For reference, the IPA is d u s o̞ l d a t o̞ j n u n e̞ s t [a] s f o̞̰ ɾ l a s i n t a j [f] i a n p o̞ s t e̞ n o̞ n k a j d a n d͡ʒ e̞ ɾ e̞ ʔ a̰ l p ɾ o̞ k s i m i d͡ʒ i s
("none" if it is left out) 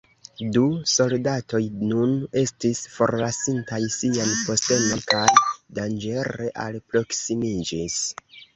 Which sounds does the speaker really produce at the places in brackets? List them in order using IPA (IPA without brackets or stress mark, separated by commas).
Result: i, s